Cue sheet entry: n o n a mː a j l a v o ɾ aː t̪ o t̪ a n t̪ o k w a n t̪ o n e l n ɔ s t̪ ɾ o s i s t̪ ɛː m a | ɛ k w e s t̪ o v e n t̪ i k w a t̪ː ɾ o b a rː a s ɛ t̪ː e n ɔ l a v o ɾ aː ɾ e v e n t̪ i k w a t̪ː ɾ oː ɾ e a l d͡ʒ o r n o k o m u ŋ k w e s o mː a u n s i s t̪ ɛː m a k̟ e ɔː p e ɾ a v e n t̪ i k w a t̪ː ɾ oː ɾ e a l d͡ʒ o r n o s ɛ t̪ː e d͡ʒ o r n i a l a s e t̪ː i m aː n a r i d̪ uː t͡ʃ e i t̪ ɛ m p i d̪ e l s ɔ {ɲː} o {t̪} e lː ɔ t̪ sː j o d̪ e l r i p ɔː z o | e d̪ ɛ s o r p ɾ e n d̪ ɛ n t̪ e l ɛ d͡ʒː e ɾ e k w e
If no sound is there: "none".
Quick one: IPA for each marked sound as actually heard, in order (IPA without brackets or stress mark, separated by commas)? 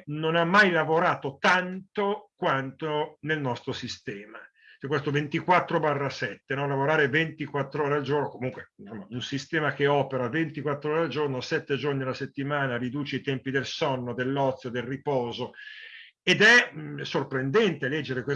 nː, d̪